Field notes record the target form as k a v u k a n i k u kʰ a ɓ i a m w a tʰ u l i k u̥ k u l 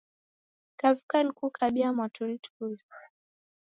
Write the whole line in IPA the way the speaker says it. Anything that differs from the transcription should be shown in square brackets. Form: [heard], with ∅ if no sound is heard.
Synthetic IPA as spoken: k a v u k a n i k u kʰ a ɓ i a m w a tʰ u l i [t] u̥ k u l

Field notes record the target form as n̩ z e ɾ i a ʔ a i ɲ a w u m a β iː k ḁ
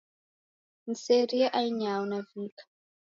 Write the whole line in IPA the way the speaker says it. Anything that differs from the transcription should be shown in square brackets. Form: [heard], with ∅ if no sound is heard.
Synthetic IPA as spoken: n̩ [s] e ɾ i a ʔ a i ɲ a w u [n] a [v] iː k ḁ

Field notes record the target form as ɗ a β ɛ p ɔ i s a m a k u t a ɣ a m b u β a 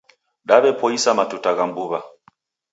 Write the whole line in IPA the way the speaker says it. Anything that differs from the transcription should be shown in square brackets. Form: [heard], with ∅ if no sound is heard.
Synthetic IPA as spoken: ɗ a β ɛ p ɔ i s a m a [t] u t a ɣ a m b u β a

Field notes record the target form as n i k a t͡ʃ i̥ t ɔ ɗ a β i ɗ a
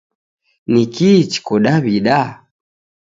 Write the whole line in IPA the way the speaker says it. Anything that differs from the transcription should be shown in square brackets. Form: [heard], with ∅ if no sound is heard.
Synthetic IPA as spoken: n i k [i] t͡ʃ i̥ [k] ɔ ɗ a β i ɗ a

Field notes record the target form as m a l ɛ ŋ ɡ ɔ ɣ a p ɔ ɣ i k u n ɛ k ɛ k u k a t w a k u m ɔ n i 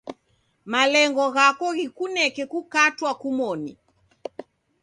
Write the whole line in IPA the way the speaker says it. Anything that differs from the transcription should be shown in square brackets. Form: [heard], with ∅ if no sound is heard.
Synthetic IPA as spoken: m a l ɛ ŋ ɡ ɔ ɣ a [k] ɔ ɣ i k u n ɛ k ɛ k u k a t w a k u m ɔ n i

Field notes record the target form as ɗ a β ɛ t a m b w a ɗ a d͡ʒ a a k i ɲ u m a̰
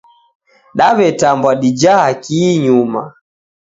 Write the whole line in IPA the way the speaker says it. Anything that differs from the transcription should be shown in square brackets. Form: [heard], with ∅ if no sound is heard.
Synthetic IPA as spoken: ɗ a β ɛ t a m b w a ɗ [i] d͡ʒ a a k i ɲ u m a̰

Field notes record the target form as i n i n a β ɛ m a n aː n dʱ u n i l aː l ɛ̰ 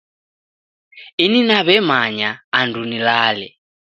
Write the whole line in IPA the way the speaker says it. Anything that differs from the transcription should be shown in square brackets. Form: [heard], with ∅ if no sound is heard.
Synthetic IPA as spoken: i n i n a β ɛ m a [ɲ] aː n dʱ u n i l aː l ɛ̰

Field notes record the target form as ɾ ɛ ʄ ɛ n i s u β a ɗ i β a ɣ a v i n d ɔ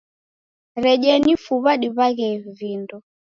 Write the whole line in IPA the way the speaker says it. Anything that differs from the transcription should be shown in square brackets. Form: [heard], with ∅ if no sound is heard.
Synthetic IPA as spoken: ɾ ɛ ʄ ɛ n i [f] u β a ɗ i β a ɣ [ɛ] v i n d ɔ

